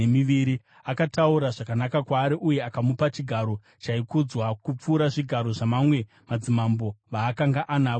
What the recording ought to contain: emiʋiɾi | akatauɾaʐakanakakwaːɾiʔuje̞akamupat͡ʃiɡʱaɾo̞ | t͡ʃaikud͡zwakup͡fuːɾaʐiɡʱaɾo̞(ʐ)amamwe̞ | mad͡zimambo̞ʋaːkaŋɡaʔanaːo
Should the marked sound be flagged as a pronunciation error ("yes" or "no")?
no